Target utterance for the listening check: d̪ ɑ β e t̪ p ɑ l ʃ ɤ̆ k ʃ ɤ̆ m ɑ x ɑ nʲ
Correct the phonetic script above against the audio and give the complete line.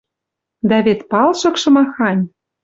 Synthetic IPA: d̪ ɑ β e t̪ p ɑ l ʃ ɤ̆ k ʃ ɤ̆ m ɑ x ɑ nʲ